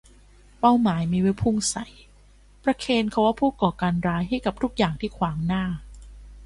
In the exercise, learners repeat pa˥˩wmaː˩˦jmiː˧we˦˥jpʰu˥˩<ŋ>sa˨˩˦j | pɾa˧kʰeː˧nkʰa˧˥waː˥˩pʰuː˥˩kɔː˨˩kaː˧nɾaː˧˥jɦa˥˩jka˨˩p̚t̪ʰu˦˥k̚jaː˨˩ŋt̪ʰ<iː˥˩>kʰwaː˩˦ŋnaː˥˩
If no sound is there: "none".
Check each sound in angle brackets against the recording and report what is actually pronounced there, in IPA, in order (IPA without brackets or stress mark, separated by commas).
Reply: ŋ, iː˥˩